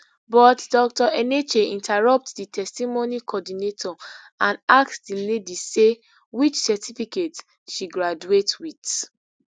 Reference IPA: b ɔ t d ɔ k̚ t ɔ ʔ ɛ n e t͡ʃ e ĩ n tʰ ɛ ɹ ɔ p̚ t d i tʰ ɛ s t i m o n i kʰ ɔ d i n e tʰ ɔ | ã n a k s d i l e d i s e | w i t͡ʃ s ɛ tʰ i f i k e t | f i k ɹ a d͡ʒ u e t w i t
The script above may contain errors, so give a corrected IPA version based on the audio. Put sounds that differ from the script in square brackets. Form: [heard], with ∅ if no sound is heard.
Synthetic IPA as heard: b ɔ t d ɔ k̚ t ɔ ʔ ɛ n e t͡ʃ e ĩ n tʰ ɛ ɹ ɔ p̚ t d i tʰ ɛ s t i m o n i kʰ ɔ d i n e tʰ ɔ | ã n a k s d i l e d i s e | w i t͡ʃ s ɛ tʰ i f i k e t | [ʃ] i [ɡ] ɹ a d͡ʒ u e t w i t